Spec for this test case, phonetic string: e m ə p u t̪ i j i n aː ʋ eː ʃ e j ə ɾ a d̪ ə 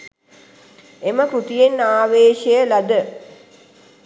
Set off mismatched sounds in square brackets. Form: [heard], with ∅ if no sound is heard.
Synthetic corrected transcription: e m ə [k] u t̪ i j [e] n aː ʋ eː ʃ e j ə [l] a d̪ ə